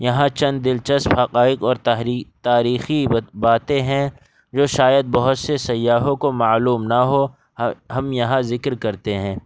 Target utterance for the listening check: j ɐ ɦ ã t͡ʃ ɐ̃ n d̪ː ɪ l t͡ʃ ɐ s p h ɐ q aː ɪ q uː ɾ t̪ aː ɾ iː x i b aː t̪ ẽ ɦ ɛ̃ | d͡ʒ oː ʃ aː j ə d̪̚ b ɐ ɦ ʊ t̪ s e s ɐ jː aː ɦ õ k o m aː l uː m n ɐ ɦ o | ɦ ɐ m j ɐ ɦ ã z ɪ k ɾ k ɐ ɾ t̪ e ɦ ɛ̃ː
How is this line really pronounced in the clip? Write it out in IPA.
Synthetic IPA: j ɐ ɦ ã t͡ʃ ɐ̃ n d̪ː ɪ l t͡ʃ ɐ s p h ɐ q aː ɪ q ɔː ɾ t̪ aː ɾ iː x i b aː t̪ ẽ ɦ ɛ̃ | d͡ʒ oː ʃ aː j ə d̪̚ b ɐ ɦ ʊ t̪ s e s ɐ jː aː ɦ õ k o m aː l uː m n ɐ ɦ o | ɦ ɐ m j ɐ ɦ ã z ɪ k ɾ k ɐ ɾ t̪ e ɦ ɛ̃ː